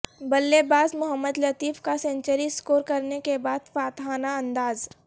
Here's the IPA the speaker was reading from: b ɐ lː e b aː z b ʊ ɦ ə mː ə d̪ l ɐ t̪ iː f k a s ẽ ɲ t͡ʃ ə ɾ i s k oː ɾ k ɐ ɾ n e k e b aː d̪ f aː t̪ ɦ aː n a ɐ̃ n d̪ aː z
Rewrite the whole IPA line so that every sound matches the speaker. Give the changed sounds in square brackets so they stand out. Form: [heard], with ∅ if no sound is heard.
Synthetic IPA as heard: b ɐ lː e b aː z [m] ʊ ɦ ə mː ə d̪ l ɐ t̪ iː f k a s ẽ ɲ t͡ʃ ə ɾ i s k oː ɾ k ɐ ɾ n e k e b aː d̪ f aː t̪ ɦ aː n a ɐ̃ n d̪ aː z

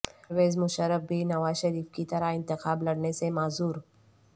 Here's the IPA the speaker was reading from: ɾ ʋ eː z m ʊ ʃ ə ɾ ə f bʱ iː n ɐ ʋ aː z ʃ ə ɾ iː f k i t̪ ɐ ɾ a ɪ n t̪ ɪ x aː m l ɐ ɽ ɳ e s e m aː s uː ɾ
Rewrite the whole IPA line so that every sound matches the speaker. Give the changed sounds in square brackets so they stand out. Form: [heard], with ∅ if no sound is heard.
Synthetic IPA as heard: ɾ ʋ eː z m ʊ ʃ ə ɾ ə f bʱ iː n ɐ ʋ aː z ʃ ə ɾ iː f k i t̪ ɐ ɾ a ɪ n t̪ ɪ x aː [b] l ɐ ɽ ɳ e s e m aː [z] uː ɾ

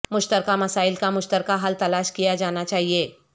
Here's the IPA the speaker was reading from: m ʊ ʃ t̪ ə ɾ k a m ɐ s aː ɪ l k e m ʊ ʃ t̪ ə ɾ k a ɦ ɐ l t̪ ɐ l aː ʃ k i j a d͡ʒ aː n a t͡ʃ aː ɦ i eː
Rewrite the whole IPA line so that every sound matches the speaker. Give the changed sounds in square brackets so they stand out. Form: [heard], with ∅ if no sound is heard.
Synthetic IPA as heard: m ʊ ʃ t̪ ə ɾ k a m ɐ s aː ɪ l k [a] m ʊ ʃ t̪ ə ɾ k a ɦ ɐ l t̪ ɐ l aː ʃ k i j a d͡ʒ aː n a t͡ʃ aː ɦ i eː

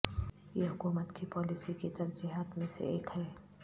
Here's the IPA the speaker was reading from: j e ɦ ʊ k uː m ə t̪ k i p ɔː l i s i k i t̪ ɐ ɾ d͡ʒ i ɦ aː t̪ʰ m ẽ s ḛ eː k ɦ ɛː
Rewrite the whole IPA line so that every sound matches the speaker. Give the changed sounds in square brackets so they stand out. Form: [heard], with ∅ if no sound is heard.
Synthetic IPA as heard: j e ɦ ʊ k uː m ə t̪ k i p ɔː l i s i k i t̪ ɐ ɾ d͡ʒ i ɦ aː [t̪] m ẽ s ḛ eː k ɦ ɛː

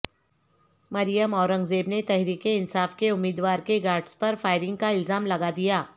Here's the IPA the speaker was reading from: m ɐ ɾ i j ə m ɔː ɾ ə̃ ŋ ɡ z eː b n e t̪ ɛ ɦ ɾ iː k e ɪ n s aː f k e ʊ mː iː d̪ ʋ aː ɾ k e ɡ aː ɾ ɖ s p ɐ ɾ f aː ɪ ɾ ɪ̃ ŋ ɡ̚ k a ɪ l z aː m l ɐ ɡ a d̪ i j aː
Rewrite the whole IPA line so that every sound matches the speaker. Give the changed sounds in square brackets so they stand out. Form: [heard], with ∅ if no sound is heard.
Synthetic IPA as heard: m ɐ ɾ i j ə m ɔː ɾ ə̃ ŋ ɡ z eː b n e t̪ ɛ ɦ ɾ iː k e ɪ n s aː f k e ʊ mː iː d̪ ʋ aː ɾ k e ɡ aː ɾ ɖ s p ɐ ɾ f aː ɪ ɾ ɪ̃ ŋ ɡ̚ k a ɪ l z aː m l ɐ ɡ a d̪ i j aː

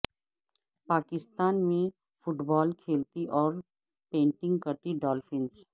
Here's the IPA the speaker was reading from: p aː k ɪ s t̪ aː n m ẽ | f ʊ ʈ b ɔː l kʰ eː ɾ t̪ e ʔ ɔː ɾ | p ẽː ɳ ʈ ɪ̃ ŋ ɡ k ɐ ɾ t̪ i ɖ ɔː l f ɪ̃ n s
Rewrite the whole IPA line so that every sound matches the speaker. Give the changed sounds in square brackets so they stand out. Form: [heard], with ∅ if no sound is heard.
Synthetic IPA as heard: p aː k ɪ s t̪ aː n m ẽ | f ʊ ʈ b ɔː l kʰ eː [l] t̪ [i] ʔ ɔː ɾ | p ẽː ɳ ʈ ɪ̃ ŋ ɡ k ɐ ɾ t̪ i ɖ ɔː l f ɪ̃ n s

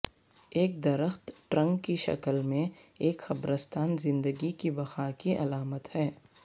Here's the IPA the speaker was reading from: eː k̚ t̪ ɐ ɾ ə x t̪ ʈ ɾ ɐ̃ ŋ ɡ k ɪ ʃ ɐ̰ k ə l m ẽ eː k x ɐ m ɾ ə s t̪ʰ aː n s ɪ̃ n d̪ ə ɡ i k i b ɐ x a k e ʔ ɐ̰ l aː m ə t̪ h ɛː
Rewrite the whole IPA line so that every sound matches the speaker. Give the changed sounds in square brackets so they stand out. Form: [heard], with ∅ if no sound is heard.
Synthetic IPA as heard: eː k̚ [d̪] ɐ ɾ ə x t̪ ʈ ɾ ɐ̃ ŋ ɡ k [i] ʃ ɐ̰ k ə l m ẽ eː k x ɐ [b] ɾ ə s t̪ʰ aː n [z] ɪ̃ n d̪ ə ɡ i k i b ɐ x a k [i] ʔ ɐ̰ l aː m ə t̪ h ɛː

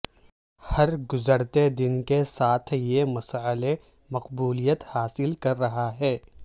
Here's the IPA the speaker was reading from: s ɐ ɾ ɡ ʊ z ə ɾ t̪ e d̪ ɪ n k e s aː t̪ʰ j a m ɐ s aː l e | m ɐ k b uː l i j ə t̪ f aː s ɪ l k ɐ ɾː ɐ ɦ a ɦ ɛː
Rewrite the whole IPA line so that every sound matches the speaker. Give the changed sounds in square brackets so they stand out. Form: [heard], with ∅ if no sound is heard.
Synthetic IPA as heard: [h] ɐ ɾ ɡ ʊ z ə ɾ t̪ e d̪ ɪ n k e s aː t̪ʰ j [e] m ɐ s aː l e | m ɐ [q] b uː l i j ə t̪ [h] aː s ɪ l k ɐ ɾː ɐ ɦ a ɦ ɛː

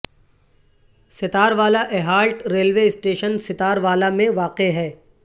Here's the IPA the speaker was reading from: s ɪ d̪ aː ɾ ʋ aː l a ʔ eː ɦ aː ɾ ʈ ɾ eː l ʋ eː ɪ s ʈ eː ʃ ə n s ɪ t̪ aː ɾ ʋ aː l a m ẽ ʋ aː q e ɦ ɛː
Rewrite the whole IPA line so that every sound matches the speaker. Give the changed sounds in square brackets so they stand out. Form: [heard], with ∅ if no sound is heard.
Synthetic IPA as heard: s ɪ [t̪] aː ɾ ʋ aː l a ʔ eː ɦ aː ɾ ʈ ɾ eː l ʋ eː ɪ s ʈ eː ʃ ə n s ɪ t̪ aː ɾ ʋ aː l a m ẽ ʋ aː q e ɦ ɛː

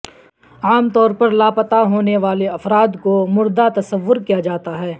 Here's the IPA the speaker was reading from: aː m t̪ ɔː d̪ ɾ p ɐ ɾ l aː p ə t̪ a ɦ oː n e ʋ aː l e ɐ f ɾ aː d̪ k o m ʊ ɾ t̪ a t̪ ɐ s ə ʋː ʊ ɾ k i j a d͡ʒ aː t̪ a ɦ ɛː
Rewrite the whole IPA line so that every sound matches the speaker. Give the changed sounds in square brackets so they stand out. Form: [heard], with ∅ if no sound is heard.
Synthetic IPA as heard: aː m t̪ ɔː [∅] ɾ p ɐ ɾ l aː p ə t̪ a ɦ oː n e ʋ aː l e ɐ f ɾ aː d̪ k o m ʊ ɾ [d̪] a t̪ ɐ s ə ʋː ʊ ɾ k i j a d͡ʒ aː t̪ a ɦ ɛː

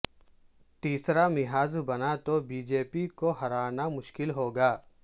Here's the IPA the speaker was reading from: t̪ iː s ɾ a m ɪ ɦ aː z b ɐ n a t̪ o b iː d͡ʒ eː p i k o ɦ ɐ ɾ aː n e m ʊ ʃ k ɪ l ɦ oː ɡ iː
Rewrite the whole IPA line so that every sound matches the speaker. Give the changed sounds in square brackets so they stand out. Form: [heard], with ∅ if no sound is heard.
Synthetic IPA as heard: t̪ iː s ɾ a m ɪ ɦ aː z b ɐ n a t̪ o b iː d͡ʒ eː p i k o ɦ ɐ ɾ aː n [a] m ʊ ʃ k ɪ l ɦ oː ɡ [aː]

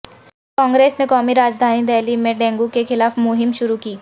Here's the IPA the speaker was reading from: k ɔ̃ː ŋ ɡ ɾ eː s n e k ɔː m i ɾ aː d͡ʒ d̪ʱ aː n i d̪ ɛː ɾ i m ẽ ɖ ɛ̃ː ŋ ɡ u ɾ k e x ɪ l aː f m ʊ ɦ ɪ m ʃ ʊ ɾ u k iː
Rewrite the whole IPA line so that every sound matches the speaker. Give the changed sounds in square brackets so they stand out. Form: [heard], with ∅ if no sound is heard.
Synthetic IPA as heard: k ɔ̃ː ŋ ɡ ɾ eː s n e k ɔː m i ɾ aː d͡ʒ d̪ʱ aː n i d̪ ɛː [l] i m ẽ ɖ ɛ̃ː ŋ ɡ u [∅] k e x ɪ l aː f m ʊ ɦ ɪ m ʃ ʊ ɾ u k iː

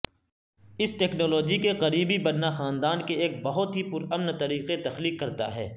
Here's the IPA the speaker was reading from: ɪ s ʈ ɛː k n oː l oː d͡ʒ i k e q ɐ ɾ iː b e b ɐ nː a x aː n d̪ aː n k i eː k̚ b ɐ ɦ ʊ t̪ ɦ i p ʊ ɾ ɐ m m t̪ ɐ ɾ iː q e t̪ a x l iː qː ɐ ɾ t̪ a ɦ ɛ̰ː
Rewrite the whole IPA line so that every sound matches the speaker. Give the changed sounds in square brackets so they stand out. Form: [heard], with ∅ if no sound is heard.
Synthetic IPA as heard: ɪ s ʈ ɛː k n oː l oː d͡ʒ i k e q ɐ ɾ iː b [i] b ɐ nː a x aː n d̪ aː n k [e] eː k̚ b ɐ ɦ ʊ t̪ ɦ i p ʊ ɾ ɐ m [n] t̪ ɐ ɾ iː q e t̪ [ɐ] x l iː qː ɐ ɾ t̪ a ɦ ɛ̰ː

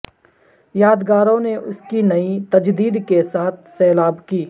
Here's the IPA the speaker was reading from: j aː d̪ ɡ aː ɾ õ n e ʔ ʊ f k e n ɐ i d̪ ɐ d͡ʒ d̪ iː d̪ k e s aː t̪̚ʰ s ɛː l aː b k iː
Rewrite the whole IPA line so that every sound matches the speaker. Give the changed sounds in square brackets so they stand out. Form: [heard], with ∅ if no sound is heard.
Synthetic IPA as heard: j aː d̪ ɡ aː ɾ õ n e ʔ ʊ [s] k [i] n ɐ i [t̪] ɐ d͡ʒ d̪ iː d̪ k e s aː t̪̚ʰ s ɛː l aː b k iː

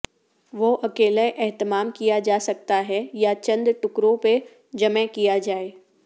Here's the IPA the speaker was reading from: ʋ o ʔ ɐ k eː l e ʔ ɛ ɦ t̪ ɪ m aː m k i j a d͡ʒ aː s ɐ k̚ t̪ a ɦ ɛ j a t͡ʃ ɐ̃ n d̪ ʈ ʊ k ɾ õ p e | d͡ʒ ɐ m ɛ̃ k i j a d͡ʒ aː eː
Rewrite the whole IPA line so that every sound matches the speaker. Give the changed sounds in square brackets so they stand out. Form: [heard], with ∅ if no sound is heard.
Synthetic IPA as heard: ʋ o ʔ ɐ k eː l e ʔ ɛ ɦ t̪ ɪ m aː m k i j a d͡ʒ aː s ɐ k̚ t̪ a ɦ ɛ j a t͡ʃ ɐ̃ n d̪ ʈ ʊ k ɾ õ p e | d͡ʒ ɐ m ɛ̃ k i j a d͡ʒ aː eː

